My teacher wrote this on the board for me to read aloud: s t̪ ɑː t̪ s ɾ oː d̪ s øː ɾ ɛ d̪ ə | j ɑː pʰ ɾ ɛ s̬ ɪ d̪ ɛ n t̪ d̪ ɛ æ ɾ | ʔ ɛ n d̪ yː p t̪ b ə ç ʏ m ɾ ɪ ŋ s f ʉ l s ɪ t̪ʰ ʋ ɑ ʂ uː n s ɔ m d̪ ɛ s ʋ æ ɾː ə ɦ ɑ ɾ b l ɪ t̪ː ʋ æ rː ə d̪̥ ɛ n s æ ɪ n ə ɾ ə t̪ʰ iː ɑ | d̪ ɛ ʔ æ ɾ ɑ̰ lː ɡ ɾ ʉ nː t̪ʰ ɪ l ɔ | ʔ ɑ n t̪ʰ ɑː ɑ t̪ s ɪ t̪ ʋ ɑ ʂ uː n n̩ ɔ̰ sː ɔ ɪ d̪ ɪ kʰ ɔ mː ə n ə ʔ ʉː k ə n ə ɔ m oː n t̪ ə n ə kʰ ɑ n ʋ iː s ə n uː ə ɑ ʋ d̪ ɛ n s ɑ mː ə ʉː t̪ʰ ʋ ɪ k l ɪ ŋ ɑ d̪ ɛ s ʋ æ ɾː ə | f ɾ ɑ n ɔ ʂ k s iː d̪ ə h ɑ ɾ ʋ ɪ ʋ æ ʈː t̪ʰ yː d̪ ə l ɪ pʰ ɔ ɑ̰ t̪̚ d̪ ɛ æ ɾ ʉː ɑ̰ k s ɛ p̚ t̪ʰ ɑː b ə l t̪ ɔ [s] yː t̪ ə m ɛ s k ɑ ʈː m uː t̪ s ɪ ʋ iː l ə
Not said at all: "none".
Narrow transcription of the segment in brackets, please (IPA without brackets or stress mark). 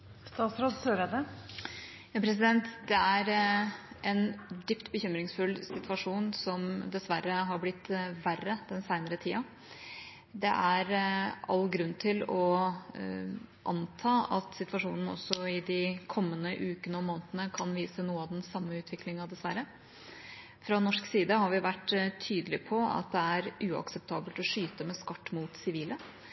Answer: ʂ